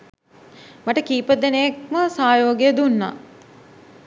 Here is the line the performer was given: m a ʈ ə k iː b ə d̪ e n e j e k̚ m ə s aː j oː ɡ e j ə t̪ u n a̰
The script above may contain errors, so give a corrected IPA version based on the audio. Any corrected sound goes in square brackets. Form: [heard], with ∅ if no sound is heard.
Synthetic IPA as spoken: m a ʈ ə k iː [p] ə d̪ e n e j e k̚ m ə s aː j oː ɡ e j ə [d̪] u [nː] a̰